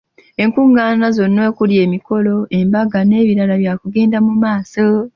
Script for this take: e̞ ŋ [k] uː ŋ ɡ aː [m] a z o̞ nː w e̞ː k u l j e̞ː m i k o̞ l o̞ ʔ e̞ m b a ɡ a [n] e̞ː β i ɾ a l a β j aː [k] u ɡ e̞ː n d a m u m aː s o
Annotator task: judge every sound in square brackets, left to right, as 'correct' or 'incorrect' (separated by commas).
correct, incorrect, correct, correct